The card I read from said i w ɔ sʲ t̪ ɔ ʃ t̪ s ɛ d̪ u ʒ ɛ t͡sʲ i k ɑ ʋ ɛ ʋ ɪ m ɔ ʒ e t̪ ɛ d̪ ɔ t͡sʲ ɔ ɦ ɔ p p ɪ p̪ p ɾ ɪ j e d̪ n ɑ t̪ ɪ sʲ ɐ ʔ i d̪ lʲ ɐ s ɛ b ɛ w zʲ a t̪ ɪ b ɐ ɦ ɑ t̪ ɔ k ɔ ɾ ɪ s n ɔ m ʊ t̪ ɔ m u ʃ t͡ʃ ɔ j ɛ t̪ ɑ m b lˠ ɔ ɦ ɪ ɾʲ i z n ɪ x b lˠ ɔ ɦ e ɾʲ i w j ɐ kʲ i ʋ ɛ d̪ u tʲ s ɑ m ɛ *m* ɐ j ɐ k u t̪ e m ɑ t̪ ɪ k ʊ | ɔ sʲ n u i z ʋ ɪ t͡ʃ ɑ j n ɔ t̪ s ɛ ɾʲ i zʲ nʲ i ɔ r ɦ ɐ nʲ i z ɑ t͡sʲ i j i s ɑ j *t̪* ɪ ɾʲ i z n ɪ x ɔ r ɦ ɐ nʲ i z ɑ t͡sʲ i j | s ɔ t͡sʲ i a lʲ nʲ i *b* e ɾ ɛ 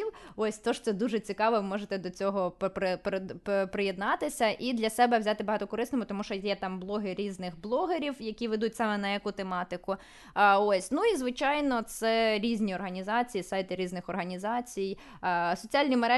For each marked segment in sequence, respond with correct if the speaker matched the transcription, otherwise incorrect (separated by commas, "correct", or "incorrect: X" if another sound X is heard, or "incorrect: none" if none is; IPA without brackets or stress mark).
incorrect: n, correct, incorrect: m